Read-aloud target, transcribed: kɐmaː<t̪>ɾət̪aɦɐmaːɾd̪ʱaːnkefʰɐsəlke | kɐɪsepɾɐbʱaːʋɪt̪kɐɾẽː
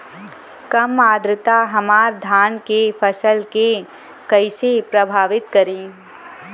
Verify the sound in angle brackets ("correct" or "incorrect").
incorrect